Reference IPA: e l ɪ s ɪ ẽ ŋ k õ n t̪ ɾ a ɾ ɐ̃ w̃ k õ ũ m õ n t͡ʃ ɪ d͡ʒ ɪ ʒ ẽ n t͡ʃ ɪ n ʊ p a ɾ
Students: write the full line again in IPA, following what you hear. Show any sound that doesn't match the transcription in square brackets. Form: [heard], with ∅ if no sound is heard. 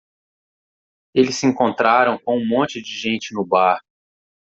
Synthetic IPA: e l ɪ s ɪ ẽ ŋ k õ n t̪ ɾ a ɾ ɐ̃ w̃ k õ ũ m õ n t͡ʃ ɪ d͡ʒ ɪ ʒ ẽ n t͡ʃ ɪ n ʊ [b] a ɾ